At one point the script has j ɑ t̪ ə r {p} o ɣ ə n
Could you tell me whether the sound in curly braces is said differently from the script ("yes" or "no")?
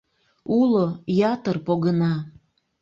no